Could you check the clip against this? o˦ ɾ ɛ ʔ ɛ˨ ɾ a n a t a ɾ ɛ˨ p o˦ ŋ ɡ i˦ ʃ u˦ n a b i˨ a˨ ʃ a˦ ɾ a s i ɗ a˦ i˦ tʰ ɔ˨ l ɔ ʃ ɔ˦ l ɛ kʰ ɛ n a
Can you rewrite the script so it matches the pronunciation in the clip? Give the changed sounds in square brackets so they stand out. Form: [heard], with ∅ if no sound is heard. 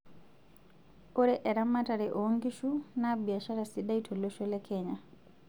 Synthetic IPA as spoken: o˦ ɾ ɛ ʔ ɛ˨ ɾ a [m] a t a ɾ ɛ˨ [ʔ] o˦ ŋ ɡ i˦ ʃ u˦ n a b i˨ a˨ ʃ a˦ ɾ a s i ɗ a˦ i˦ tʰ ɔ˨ l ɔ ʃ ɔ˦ l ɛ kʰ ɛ [ɲ] a